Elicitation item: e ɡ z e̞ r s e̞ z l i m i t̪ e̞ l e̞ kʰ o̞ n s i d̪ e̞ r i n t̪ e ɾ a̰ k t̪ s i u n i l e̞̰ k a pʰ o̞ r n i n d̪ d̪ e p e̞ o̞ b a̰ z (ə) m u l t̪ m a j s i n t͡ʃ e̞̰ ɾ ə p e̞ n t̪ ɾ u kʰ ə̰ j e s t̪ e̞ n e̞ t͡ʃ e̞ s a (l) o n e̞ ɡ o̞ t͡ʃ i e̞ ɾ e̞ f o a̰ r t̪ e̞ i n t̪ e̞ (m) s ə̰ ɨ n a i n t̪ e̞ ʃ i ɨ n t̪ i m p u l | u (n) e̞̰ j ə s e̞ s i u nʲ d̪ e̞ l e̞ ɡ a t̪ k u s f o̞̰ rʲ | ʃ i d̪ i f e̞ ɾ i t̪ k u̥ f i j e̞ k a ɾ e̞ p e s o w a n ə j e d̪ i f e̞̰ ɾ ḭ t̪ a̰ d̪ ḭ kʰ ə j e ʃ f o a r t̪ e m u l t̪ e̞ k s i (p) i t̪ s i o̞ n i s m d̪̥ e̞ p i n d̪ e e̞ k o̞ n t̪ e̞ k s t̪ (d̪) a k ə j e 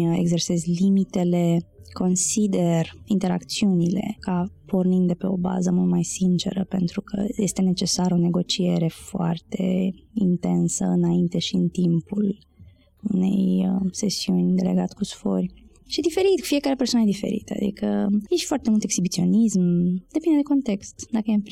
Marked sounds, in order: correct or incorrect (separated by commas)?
correct, incorrect, incorrect, correct, incorrect, correct